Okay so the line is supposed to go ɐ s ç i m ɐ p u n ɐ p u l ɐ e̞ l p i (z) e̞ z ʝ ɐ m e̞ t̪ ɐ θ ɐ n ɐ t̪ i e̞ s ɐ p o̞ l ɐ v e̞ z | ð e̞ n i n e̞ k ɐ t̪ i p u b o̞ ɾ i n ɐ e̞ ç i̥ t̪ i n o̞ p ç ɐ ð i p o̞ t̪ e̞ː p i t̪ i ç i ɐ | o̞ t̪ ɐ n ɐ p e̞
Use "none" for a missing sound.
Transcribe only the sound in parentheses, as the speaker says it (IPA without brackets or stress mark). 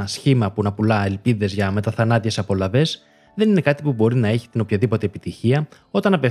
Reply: ð